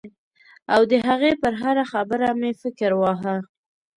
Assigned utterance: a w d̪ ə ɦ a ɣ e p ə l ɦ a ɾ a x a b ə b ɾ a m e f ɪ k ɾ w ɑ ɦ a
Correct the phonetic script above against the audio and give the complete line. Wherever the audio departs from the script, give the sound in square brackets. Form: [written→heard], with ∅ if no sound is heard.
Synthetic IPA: a w d̪ ə ɦ a ɣ e p ə [l→ɾ] ɦ a ɾ a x a b ə [b→∅] ɾ a m e f ɪ k ɾ w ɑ ɦ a

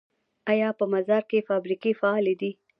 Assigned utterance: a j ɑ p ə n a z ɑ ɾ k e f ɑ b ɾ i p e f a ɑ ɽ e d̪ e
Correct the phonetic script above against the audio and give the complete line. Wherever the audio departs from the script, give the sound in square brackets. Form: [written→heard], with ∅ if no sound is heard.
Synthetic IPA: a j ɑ p ə [n→m] a z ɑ ɾ k e f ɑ b ɾ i [p→k] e f a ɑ [ɽ→l] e d̪ [e→i]

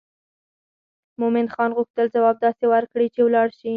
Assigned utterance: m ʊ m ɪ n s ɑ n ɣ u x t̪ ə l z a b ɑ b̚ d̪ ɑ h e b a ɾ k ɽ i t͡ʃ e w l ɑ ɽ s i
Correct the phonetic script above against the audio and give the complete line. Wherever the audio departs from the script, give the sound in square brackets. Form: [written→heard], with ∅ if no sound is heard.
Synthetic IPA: m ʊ m ɪ n [s→x] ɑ n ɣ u x t̪ ə l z a [b→w] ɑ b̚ d̪ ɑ [h→s] e [b→w] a ɾ k ɽ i t͡ʃ e w l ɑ ɽ [s→ʃ] i

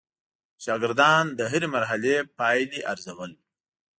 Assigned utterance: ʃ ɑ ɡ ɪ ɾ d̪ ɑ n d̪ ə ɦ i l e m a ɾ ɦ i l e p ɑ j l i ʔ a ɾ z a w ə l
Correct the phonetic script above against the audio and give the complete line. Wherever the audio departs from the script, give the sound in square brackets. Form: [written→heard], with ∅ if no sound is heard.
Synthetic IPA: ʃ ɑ ɡ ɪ ɾ d̪ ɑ n d̪ ə ɦ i [l→ɾ] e m a ɾ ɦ [i→a] l e p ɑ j l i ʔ a ɾ z a w ə l

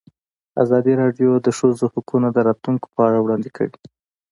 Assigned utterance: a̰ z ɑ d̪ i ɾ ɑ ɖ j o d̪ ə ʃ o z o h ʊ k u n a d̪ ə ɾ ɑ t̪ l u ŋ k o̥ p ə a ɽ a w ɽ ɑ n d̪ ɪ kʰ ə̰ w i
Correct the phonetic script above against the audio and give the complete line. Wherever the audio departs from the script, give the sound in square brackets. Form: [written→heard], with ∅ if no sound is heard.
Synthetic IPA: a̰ z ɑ d̪ i ɾ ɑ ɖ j o d̪ ə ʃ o z o h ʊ k u n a d̪ ə ɾ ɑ t̪ l u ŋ k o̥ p ə a ɽ a w ɽ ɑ n d̪ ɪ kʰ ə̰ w i

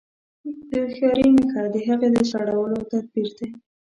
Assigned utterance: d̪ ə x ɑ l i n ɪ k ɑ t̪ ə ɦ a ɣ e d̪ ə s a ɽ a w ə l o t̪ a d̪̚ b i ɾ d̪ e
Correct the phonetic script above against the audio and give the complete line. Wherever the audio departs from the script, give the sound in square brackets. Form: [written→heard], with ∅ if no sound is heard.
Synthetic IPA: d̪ ə x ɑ [l→ɾ] i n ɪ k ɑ [t̪→d̪] ə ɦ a ɣ e d̪ ə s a ɽ a w ə l o t̪ a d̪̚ b i ɾ d̪ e

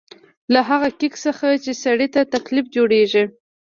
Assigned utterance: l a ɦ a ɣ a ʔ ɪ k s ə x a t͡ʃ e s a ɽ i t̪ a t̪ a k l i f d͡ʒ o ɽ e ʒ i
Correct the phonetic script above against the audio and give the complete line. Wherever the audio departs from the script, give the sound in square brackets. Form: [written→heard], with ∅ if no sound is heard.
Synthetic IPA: l a ɦ a ɣ a [ʔ→k] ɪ k s ə x a t͡ʃ e s a ɽ i t̪ a t̪ a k l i f d͡ʒ o ɽ e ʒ i

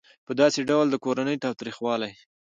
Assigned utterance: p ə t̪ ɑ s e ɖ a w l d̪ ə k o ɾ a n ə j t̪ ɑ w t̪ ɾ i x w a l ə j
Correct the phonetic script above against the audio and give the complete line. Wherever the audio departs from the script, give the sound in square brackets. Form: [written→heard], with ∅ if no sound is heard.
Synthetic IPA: p ə [t̪→d̪] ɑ s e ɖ a w l d̪ ə k o ɾ a n ə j t̪ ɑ w t̪ ɾ i x w [a→ɑ] l [ə→a] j

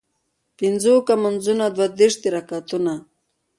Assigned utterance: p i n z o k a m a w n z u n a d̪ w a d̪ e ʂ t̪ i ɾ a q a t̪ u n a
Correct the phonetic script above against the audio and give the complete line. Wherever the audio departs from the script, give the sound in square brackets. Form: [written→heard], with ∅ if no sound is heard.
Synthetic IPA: p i n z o k a m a [w→∅] n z u n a d̪ w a d̪ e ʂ t̪ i ɾ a [q→k] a t̪ u n a

